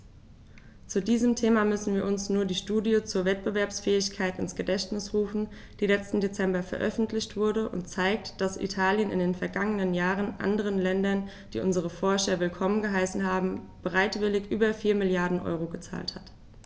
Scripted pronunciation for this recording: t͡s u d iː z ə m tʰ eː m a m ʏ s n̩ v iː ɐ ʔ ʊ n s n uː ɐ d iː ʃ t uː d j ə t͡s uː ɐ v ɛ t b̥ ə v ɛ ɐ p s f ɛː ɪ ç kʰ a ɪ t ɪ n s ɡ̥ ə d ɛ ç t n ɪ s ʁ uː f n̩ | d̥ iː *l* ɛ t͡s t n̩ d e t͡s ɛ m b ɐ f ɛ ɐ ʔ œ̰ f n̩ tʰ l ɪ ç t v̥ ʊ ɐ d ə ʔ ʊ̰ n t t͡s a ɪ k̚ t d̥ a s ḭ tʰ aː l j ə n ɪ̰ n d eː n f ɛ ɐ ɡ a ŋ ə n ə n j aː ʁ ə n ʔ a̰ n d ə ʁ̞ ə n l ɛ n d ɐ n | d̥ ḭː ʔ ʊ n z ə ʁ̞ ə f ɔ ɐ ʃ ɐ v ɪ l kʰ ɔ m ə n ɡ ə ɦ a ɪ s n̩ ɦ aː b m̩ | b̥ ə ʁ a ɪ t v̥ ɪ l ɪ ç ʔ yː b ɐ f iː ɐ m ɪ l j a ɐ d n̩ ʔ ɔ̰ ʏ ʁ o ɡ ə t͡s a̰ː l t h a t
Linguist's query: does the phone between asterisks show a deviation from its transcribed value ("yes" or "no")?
no